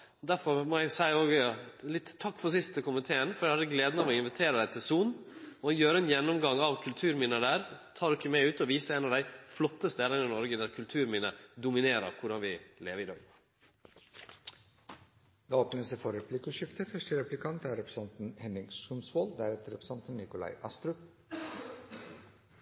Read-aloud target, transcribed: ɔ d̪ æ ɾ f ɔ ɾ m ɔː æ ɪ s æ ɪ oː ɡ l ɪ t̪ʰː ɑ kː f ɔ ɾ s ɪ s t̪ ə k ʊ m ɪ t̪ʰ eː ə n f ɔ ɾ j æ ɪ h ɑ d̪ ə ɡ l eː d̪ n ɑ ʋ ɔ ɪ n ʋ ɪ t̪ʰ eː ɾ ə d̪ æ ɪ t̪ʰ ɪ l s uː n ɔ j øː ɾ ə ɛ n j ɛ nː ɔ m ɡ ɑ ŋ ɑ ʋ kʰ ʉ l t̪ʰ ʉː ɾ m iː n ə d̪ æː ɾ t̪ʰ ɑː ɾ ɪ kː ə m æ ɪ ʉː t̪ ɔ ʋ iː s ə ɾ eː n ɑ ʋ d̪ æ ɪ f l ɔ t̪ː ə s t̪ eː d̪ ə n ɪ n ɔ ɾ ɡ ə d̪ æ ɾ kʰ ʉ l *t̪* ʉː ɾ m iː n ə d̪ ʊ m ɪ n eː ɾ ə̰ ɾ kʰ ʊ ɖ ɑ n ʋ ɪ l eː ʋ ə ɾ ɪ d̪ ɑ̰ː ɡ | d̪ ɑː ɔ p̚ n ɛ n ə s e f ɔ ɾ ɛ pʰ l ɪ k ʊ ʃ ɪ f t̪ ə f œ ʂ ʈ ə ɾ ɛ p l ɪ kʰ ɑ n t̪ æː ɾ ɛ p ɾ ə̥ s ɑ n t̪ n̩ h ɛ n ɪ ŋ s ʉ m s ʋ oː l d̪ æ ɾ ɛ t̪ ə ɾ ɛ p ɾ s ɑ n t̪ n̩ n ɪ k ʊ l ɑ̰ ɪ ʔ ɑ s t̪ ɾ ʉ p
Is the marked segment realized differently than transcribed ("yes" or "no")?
yes